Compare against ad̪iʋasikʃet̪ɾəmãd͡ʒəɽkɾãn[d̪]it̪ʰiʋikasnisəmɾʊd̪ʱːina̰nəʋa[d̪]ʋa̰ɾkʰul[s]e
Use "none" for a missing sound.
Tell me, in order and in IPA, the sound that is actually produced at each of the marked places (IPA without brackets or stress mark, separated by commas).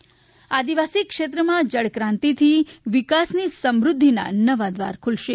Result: t̪, d̪, ʃ